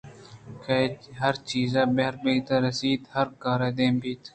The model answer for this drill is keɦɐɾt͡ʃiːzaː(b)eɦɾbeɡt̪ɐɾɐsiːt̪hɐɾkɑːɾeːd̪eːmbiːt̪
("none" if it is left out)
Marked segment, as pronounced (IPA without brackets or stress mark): b